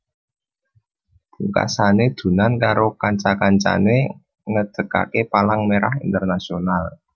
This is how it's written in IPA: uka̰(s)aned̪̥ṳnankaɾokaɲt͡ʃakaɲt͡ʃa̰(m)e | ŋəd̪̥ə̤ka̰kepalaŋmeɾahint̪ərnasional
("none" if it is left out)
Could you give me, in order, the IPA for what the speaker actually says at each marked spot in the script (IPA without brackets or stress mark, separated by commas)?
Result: s, n